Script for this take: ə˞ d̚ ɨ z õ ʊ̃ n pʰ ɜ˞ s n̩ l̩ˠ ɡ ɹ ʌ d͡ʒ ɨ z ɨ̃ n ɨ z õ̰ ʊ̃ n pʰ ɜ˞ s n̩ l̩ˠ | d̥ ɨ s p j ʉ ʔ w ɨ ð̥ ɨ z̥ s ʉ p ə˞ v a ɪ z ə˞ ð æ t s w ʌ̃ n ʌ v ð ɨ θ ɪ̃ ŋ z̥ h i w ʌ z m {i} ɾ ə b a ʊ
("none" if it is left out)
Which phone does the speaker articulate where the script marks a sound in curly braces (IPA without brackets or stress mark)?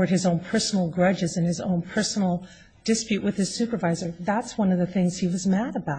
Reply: æ